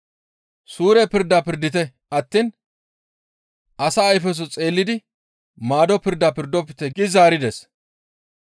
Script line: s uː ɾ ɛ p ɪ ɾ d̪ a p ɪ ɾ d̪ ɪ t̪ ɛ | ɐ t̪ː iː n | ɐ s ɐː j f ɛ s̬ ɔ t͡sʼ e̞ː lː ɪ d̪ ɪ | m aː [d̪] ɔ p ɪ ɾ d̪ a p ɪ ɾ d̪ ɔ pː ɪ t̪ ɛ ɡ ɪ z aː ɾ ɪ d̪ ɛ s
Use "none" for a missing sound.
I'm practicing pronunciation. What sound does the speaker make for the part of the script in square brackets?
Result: d̪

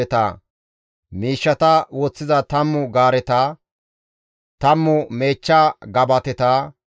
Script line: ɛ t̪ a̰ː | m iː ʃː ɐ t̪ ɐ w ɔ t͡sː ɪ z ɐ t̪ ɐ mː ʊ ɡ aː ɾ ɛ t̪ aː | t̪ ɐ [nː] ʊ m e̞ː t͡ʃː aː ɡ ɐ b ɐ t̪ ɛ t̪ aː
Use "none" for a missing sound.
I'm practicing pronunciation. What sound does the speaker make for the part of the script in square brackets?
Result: mː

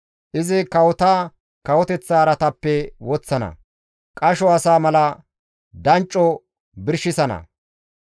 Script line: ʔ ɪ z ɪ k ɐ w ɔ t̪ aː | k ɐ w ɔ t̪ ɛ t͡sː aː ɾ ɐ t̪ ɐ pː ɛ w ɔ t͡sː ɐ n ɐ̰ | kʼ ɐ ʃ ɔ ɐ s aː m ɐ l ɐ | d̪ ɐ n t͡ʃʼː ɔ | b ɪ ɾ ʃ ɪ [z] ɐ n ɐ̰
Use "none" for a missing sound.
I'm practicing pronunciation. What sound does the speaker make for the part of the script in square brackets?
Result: s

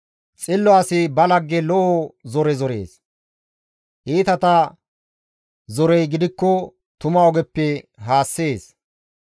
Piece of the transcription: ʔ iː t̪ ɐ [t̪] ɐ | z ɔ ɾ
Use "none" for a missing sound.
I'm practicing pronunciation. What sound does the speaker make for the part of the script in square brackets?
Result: t̪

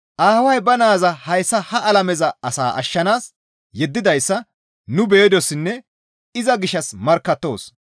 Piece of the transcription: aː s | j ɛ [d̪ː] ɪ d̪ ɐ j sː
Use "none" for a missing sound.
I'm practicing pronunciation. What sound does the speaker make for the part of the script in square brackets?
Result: d̪ː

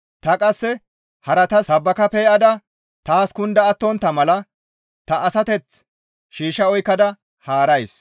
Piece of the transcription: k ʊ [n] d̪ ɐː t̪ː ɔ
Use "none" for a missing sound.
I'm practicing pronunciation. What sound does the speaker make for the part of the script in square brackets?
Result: n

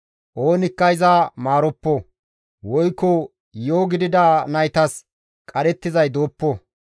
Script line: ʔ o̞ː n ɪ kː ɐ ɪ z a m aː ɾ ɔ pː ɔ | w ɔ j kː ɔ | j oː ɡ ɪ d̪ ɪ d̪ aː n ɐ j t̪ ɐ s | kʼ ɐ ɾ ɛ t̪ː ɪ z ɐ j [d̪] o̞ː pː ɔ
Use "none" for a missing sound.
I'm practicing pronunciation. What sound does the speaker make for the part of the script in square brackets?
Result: d̪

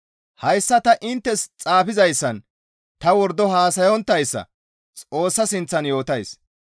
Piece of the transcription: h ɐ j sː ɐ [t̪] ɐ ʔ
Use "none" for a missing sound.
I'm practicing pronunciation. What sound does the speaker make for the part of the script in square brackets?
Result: t̪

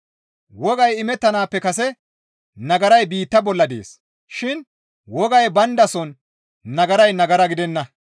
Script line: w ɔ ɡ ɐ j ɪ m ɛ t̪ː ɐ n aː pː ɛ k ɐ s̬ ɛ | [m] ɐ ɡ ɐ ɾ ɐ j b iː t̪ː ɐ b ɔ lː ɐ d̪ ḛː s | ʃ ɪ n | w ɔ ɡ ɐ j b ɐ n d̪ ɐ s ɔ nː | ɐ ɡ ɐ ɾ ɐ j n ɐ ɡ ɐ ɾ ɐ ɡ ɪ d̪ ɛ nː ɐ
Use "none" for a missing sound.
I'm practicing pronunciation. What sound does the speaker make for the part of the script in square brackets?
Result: n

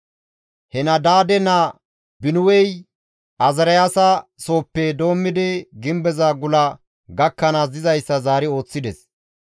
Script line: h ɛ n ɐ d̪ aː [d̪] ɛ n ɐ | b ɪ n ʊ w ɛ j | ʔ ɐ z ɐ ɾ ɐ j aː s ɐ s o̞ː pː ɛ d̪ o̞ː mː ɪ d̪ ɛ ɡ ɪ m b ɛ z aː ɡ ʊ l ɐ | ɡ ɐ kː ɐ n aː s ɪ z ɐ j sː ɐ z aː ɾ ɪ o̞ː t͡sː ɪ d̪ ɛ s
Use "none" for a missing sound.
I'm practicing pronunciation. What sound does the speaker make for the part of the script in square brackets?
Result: d̪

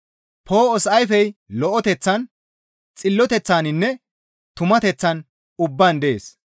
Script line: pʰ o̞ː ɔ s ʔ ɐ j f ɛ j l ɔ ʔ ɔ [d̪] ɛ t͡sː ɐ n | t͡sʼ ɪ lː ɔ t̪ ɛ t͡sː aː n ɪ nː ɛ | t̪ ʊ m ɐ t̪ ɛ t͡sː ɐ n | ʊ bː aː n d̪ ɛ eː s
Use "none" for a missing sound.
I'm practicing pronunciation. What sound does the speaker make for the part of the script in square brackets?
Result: t̪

